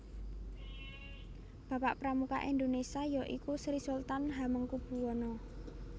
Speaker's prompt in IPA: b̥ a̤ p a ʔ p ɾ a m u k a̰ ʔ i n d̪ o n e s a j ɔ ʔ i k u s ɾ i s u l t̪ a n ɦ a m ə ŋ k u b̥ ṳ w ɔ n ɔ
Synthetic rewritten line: b̥ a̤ p a ʔ p ɾ a m u k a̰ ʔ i n d̪ o n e s a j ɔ ʔ i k u s ɾ i s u l t̪ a n ɦ a m ə ŋ k u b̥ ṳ w ɔ n ɔ